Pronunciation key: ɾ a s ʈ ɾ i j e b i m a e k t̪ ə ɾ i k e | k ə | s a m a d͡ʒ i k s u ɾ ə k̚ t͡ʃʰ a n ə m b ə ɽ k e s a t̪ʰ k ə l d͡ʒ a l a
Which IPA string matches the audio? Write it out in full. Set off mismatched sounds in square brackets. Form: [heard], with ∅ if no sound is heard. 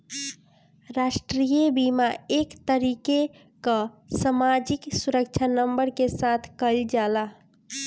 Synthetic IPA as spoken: ɾ a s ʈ ɾ i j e b i m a e k t̪ ə ɾ i k e | k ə | s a m a d͡ʒ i k s u ɾ ə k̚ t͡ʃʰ a n ə m b ə [ɾ] k e s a t̪ʰ k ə l d͡ʒ a l a